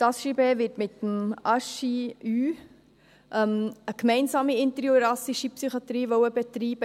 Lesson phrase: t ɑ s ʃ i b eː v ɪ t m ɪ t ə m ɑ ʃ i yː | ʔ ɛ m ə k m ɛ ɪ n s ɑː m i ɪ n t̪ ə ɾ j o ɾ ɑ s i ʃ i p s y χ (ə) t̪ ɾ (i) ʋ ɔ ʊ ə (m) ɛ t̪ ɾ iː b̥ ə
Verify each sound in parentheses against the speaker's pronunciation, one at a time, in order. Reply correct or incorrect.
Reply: incorrect: ɑ, incorrect: iː, incorrect: b

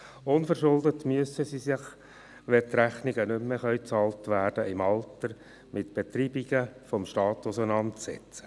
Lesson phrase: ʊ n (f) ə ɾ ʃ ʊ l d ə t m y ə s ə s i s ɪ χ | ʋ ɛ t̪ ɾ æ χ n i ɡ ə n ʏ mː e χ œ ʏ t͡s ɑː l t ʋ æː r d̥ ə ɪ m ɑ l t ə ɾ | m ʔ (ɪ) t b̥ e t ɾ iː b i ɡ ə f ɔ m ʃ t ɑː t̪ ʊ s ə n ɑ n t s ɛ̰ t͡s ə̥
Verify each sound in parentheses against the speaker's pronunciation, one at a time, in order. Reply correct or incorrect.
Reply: correct, correct

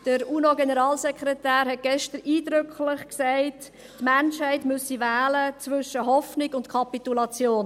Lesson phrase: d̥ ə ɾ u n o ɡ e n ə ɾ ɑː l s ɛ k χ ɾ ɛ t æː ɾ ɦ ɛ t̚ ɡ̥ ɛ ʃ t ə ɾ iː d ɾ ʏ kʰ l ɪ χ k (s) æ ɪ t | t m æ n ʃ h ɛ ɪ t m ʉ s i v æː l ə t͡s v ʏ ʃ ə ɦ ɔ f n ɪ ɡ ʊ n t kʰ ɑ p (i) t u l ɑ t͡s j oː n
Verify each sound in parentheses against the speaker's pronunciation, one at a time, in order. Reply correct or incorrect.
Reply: correct, correct

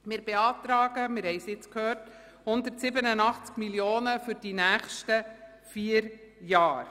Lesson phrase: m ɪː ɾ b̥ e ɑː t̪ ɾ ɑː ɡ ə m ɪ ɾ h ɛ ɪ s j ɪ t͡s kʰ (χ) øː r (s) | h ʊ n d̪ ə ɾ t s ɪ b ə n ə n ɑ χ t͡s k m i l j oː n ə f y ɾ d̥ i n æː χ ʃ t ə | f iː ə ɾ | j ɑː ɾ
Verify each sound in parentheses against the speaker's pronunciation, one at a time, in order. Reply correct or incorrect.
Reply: incorrect: h, incorrect: t

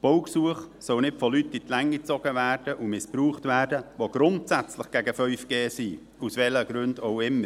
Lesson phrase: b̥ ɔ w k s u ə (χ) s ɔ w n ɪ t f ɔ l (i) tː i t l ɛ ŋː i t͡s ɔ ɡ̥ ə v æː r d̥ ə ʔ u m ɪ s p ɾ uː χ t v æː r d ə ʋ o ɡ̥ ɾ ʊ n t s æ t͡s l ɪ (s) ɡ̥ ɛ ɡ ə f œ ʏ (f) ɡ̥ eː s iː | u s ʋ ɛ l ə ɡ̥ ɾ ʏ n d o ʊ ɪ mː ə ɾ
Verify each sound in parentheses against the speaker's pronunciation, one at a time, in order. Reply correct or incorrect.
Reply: correct, incorrect: y, incorrect: χ, correct

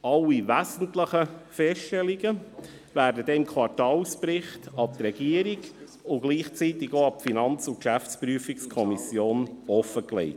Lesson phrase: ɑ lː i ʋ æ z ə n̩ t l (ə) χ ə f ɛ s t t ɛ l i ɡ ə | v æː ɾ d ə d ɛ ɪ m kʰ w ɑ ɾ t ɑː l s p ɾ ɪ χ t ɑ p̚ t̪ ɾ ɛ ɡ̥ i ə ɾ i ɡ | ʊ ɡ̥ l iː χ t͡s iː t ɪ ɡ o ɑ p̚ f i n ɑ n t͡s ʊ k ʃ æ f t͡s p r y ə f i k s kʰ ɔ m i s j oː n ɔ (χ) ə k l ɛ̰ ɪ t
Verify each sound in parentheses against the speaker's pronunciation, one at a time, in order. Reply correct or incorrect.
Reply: correct, incorrect: f

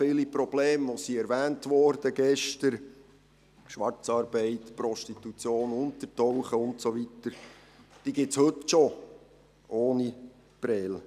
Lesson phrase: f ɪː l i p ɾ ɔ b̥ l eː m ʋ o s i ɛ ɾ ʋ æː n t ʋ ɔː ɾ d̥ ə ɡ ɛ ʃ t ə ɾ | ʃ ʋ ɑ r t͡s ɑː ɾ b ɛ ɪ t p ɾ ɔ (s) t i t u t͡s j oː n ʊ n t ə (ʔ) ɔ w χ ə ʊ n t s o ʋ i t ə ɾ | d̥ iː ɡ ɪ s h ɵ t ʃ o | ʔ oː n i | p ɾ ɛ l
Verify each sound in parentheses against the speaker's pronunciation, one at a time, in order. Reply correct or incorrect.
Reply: incorrect: ʃ, incorrect: t

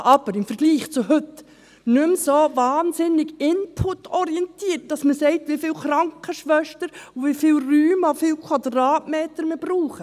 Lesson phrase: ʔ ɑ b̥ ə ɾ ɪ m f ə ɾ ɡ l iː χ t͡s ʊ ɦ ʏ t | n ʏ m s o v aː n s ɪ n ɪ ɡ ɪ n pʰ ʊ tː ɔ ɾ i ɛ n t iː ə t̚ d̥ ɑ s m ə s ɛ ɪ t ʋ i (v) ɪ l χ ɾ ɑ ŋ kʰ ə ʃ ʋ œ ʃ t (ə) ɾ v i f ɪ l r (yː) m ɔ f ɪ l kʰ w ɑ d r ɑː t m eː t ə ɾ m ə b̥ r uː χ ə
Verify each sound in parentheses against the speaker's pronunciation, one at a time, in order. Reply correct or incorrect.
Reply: incorrect: f, correct, correct

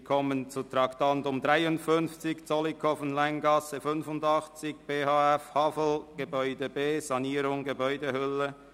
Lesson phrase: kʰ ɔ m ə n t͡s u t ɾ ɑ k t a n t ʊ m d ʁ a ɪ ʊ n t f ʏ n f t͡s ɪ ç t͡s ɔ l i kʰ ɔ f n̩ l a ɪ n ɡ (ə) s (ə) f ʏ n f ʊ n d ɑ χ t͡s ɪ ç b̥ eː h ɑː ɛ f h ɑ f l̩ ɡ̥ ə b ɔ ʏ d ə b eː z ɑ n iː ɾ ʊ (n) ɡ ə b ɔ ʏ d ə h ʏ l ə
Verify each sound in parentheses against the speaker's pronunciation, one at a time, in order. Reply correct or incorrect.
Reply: incorrect: ɑ, correct, incorrect: ŋ

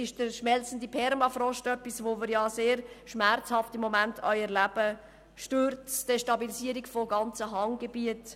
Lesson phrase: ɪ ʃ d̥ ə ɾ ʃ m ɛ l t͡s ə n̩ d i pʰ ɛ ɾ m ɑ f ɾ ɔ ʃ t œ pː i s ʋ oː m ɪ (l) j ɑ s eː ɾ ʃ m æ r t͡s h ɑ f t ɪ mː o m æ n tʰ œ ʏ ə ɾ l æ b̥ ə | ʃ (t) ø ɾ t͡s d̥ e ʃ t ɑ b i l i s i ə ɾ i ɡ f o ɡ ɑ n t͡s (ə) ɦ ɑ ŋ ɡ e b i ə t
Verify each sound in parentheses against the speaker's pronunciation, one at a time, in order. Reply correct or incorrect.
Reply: incorrect: ɾ, correct, correct

